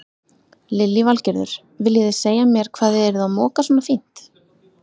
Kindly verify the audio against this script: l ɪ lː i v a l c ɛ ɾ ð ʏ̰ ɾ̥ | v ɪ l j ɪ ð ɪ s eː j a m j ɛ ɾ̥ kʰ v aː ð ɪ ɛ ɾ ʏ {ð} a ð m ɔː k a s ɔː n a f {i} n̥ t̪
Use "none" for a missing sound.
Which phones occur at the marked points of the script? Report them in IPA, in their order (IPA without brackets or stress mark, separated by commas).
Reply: ð, i